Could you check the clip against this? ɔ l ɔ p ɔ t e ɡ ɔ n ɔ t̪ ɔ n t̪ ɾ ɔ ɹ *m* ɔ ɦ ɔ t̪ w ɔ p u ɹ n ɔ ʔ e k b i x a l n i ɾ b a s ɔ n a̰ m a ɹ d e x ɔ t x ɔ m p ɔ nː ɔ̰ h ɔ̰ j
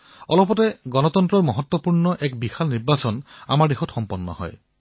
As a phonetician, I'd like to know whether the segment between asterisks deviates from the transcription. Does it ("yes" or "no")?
no